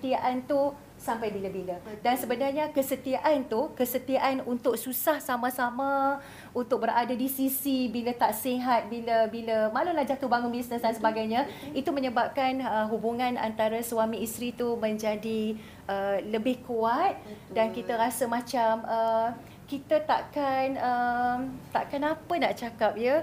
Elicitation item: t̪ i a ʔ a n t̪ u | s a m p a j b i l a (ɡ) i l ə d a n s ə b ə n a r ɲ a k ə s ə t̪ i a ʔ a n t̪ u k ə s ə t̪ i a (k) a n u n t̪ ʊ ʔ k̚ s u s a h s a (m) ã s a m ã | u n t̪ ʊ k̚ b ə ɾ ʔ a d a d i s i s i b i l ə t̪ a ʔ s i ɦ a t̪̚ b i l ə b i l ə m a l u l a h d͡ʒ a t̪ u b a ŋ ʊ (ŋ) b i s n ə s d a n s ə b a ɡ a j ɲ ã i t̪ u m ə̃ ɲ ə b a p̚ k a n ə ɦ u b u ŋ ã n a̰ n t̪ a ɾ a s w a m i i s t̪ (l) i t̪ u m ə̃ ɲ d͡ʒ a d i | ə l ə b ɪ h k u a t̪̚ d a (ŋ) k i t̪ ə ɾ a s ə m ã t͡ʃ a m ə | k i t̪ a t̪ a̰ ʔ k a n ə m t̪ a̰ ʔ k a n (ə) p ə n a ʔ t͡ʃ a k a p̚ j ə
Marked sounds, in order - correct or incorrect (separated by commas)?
incorrect, incorrect, correct, incorrect, incorrect, incorrect, incorrect